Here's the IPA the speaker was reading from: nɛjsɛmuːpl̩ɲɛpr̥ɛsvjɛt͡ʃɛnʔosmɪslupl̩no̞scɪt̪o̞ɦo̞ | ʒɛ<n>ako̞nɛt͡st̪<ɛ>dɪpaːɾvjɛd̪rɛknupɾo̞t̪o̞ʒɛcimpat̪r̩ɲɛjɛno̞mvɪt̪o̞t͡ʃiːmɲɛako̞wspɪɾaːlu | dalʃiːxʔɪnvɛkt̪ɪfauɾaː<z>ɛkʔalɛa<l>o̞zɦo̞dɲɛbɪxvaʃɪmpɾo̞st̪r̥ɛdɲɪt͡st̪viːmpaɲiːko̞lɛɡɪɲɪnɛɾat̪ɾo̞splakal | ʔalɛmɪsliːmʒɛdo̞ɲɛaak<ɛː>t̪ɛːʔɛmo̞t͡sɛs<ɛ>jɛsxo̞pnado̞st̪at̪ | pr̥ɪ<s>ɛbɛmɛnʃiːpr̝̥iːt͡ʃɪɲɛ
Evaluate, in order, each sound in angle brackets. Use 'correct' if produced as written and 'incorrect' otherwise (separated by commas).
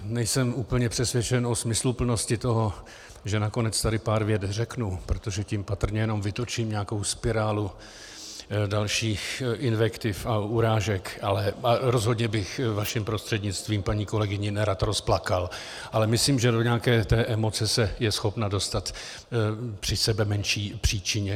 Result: correct, incorrect, incorrect, incorrect, correct, correct, correct